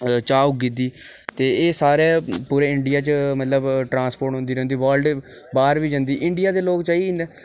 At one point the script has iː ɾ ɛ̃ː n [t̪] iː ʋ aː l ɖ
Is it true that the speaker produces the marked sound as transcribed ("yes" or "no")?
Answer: no